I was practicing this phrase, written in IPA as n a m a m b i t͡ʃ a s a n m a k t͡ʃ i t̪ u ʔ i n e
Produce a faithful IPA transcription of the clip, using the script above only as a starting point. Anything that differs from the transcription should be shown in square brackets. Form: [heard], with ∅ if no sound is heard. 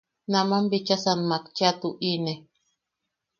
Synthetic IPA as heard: n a m a m b i t͡ʃ a s a n m a k t͡ʃ [a] t̪ u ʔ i n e